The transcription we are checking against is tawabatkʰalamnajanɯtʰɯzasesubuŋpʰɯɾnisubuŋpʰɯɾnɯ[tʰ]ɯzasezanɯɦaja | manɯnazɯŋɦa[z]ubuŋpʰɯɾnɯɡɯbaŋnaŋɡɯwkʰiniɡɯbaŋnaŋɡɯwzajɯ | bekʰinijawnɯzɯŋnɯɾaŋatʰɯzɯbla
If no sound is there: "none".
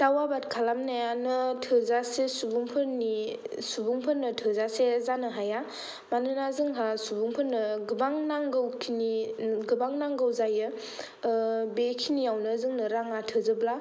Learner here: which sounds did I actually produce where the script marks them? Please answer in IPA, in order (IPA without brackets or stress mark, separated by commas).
tʰ, s